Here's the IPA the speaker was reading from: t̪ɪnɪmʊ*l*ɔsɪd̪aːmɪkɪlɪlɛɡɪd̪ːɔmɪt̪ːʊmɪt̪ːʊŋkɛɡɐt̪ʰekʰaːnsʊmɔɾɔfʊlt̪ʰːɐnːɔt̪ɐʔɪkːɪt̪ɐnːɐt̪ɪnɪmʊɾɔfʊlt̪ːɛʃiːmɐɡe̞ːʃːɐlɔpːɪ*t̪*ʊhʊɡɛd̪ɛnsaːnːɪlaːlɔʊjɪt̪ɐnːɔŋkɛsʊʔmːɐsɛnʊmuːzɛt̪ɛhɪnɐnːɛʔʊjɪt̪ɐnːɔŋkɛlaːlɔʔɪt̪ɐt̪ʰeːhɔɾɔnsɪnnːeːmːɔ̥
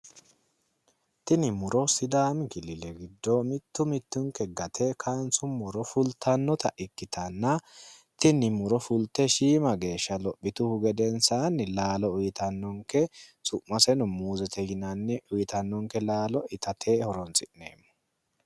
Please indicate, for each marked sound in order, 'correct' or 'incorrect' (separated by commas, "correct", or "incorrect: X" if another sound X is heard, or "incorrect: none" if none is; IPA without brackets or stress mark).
incorrect: ɾ, correct